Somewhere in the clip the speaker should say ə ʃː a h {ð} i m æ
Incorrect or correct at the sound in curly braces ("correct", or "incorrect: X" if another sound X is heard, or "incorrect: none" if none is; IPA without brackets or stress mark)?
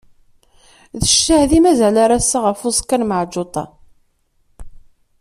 correct